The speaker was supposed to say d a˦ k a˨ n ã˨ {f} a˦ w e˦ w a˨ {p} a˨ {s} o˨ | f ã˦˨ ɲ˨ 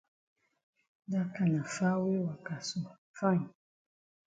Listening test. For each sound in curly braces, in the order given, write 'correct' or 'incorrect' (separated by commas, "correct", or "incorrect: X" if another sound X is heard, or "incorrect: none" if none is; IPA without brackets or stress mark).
correct, incorrect: k, correct